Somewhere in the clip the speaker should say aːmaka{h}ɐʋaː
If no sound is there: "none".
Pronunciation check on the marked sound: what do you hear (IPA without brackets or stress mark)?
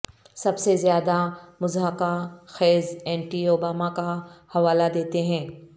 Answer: h